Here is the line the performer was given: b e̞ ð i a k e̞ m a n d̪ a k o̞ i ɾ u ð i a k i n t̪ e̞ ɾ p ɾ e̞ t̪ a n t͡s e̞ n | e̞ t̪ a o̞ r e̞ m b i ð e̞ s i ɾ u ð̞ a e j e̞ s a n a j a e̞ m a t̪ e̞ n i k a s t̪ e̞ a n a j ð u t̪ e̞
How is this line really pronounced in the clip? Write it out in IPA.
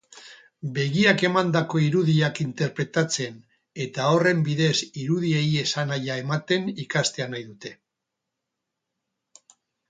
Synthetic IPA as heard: b e̞ ɣ i a k e̞ m a n d̪ a k o̞ i ɾ u ð i a k i n t̪ e̞ ɾ p ɾ e̞ t̪ a t͡s e̞ n | e̞ t̪ a o̞ r e̞ m b i ð e̞ s i ɾ u ð̞ i e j e̞ s a n a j a e̞ m a t̪ e̞ n i k a s t̪ e̞ a n a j ð u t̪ e̞